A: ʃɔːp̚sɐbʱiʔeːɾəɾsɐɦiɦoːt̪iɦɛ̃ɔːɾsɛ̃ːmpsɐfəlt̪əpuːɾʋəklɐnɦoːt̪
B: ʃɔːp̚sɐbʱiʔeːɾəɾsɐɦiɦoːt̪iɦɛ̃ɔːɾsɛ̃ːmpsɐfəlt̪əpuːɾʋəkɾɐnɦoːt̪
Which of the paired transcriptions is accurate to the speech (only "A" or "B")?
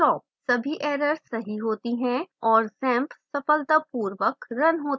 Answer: B